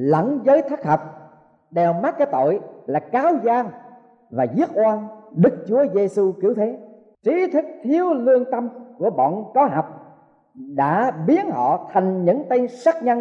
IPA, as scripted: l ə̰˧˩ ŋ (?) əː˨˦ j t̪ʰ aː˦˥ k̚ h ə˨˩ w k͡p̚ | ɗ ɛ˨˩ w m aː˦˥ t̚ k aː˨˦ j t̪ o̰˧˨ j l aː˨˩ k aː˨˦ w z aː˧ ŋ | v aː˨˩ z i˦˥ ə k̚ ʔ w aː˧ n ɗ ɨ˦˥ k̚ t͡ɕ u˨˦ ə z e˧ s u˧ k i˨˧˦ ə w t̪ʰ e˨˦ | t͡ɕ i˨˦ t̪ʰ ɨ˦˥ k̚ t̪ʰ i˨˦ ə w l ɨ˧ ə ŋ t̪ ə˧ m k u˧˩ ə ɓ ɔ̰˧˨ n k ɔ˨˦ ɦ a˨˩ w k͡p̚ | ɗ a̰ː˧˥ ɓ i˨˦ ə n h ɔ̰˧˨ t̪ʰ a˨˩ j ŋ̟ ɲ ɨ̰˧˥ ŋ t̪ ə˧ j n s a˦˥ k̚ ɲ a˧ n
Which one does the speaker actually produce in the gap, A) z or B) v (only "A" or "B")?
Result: A